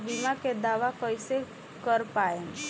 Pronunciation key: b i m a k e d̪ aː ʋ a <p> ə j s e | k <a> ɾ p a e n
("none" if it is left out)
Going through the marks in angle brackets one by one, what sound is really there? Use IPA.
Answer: k, ə

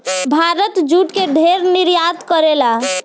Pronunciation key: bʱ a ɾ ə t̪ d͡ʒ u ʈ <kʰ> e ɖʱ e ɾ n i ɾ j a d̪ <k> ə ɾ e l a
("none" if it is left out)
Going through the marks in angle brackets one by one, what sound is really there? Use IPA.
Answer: k, k

